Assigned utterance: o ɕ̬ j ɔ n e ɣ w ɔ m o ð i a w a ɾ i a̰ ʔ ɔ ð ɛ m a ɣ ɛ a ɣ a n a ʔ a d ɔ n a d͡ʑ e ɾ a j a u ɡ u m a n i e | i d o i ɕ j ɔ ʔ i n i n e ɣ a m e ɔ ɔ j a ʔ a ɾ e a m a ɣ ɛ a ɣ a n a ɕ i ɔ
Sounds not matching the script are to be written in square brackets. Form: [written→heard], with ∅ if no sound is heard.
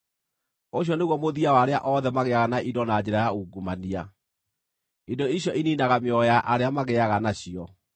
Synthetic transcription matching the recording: o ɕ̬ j ɔ n e ɣ w ɔ m o ð i a w a ɾ [i→e] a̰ ʔ ɔ ð ɛ m a ɣ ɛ a ɣ a n a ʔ [a→i] d ɔ n a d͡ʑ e ɾ a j a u ɡ u m a n i [e→a] | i d o i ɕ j ɔ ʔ i n i n [e→a] ɣ a m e ɔ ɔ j a ʔ a ɾ e a m a ɣ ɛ a ɣ a n a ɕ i ɔ